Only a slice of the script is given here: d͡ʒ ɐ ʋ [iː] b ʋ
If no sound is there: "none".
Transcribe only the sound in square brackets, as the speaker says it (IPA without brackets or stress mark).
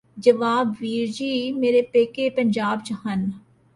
aː